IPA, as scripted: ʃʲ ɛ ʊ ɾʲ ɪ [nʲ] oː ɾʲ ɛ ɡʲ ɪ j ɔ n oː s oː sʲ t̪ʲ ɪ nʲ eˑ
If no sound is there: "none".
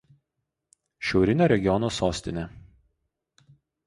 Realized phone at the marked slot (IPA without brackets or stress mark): nʲ